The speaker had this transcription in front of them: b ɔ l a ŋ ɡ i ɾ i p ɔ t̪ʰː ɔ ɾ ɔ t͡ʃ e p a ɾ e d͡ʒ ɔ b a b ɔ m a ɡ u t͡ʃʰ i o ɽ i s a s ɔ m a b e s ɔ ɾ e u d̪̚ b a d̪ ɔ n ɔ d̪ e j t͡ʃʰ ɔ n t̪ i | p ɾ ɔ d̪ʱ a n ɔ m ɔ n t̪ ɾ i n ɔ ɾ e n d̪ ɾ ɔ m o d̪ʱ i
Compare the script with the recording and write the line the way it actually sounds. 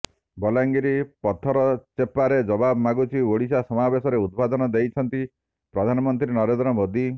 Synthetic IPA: b ɔ l a ŋ ɡ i ɾ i p ɔ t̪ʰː ɔ ɾ ɔ t͡ʃ e p a ɾ e d͡ʒ ɔ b a b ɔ m a ɡ u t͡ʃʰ i o ɽ i s a s ɔ m a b e s ɔ ɾ e u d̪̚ b a d̪ ɔ n ɔ d̪ e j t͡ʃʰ ɔ n t̪ i | p ɾ ɔ d̪ʱ a n ɔ m ɔ n t̪ ɾ i n ɔ ɾ e n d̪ ɾ ɔ m o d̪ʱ i